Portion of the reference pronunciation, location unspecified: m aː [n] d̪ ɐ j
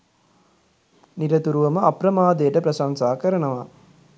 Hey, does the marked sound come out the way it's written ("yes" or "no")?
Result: no